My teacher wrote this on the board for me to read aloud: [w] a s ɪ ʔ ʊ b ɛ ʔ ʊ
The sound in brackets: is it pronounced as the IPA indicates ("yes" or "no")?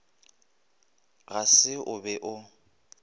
no